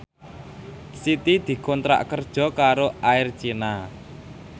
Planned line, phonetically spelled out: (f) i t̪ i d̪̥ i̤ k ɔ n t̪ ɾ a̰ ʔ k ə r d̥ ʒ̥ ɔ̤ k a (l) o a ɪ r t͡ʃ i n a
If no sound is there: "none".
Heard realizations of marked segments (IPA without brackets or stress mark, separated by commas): s, ɾ